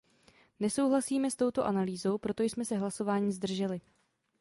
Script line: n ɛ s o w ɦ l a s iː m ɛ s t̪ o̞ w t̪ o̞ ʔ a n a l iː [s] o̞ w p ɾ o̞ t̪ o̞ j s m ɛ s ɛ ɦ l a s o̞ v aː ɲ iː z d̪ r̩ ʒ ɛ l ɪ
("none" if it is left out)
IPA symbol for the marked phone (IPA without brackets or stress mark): z